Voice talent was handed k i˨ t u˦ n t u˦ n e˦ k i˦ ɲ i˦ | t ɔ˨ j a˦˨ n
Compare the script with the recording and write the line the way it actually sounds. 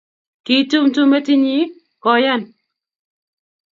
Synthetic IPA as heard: k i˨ t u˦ m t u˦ m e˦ t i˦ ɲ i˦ | k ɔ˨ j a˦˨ n